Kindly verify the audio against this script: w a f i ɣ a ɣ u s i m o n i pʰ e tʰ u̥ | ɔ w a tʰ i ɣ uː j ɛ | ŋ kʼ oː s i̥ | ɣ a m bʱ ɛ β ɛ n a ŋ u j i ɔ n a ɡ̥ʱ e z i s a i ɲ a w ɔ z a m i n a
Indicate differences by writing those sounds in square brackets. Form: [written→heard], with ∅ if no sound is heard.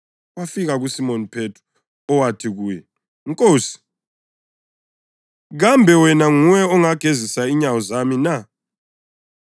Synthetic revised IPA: w a f i ɣ a ɣ u s i m o n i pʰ e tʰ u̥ | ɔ w a tʰ i ɣ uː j ɛ | ŋ kʼ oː s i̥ | ɣ a m bʱ ɛ [β→w] ɛ n a ŋ u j [i→ɛ] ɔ [n→ŋ] a ɡ̥ʱ e z i s a i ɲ a w ɔ z a m i n a